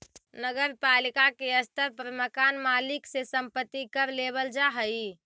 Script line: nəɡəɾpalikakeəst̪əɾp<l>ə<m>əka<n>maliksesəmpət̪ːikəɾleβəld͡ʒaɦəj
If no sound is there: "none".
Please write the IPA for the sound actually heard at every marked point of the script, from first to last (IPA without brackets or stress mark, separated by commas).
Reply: ɾ, m, n